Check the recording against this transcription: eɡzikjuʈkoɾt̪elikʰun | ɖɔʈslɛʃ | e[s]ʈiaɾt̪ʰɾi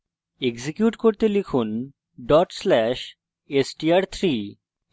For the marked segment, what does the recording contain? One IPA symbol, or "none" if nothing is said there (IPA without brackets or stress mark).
s